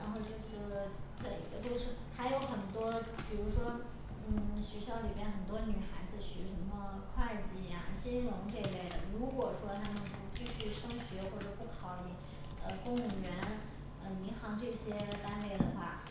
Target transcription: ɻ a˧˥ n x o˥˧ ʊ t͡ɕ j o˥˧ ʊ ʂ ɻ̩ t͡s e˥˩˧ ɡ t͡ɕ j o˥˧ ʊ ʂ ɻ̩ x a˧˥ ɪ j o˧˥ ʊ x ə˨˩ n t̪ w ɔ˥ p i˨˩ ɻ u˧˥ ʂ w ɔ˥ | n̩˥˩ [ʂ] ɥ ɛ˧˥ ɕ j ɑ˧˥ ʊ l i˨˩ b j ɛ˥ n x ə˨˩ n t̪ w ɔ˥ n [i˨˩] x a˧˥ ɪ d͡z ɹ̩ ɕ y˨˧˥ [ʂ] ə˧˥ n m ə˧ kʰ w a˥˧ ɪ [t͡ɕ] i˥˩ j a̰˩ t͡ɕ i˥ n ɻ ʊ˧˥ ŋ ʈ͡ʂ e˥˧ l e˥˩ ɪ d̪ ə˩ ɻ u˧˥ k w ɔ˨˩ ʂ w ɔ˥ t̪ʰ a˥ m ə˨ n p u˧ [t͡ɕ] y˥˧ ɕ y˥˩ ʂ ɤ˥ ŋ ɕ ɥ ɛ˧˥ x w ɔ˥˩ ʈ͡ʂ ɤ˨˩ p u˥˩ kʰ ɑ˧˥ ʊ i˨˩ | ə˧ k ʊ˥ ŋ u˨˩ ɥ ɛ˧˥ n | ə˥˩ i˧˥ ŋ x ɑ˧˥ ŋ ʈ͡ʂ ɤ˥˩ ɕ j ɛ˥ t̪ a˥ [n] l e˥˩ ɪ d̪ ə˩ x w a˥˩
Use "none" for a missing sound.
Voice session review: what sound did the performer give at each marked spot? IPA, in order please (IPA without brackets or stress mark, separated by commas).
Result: ɕ, y˨˩, ʂ, t͡ɕ, t͡ɕ, n